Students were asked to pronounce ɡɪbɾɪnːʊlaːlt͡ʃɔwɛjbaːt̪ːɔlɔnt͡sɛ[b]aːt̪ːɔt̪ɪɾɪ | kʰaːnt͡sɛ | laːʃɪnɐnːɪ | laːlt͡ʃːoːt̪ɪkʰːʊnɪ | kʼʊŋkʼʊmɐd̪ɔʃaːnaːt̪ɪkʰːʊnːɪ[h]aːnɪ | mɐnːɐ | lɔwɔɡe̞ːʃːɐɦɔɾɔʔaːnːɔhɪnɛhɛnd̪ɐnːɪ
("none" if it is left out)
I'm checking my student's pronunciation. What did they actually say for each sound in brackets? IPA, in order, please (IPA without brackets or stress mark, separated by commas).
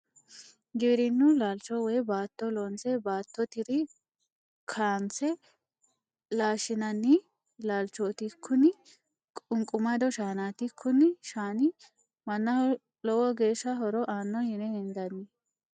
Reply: b, ʃ